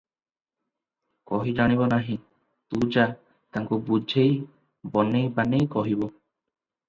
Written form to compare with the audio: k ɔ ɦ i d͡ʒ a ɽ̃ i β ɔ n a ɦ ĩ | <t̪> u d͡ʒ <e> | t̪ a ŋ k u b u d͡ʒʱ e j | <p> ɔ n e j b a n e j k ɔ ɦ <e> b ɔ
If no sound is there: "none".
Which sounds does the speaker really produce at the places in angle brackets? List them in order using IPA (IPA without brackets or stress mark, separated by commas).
t̪, a, b, i